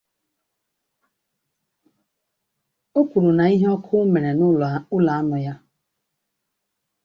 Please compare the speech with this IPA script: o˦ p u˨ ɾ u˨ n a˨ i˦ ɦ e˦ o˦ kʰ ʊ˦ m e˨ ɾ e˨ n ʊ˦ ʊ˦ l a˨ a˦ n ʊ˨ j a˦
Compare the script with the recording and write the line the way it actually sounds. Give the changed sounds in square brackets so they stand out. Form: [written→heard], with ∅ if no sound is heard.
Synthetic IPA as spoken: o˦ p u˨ ɾ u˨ n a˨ i˦ ɦ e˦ [o˦→ɔ˦] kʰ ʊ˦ m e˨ ɾ e˨ n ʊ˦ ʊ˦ l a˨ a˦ n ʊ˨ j a˦